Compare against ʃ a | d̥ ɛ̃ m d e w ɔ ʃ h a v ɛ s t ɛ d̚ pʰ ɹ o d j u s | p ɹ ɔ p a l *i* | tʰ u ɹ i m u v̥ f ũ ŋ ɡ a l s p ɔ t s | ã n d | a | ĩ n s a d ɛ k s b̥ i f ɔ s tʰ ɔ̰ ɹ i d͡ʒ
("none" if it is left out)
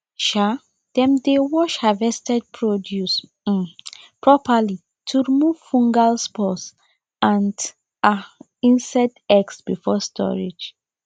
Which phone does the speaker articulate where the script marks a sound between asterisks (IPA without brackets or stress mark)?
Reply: i